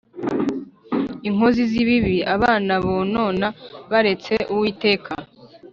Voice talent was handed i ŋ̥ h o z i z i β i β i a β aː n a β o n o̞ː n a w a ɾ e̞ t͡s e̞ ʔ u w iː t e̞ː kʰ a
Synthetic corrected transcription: i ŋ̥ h o z i z i β i β i a β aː n a β o n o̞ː n a β a ɾ e̞ t͡s e̞ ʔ u w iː t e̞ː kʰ a